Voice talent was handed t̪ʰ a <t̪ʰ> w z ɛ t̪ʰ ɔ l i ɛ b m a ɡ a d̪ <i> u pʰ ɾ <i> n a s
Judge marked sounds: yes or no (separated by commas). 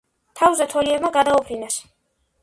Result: no, no, yes